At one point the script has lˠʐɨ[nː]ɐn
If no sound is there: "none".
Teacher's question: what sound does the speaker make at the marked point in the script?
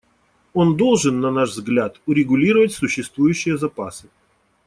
nː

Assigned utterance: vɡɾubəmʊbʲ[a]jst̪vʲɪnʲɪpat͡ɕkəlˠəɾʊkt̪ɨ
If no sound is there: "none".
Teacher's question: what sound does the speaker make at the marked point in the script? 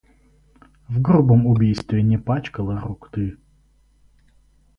i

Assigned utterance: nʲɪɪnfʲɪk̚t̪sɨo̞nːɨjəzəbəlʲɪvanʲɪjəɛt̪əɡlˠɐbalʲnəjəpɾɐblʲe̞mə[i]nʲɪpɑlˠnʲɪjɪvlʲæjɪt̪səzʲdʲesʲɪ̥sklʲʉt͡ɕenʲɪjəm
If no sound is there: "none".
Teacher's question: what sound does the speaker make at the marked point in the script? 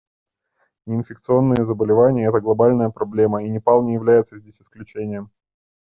i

